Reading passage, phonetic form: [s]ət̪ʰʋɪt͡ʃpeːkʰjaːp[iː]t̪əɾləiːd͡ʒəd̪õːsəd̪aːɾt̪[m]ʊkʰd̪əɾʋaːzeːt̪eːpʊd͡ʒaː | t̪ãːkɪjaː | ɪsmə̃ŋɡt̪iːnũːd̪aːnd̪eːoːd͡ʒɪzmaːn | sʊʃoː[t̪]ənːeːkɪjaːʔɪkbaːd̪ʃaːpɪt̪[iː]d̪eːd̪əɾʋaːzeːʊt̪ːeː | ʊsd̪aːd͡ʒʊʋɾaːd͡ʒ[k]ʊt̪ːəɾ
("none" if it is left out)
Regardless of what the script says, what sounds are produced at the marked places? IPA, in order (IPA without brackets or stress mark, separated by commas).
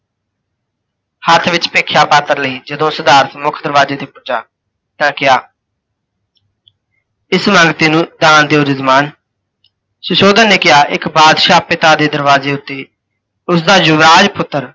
h, aː, m, d̪, aː, p